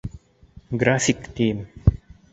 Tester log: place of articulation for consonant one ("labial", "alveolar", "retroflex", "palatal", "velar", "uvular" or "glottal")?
velar